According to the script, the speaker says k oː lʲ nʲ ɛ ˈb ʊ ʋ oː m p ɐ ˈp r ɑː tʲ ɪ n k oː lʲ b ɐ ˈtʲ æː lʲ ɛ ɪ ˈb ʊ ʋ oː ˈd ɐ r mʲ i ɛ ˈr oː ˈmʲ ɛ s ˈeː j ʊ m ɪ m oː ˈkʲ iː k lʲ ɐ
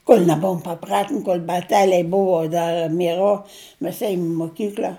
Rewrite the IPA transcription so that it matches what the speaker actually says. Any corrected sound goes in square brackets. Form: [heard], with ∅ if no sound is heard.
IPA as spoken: k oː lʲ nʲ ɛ ˈb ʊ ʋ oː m p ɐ ˈp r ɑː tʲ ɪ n k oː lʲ b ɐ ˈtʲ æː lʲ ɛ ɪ ˈb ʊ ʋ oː ˈd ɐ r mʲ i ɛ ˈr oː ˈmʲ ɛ s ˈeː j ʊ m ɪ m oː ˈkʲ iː k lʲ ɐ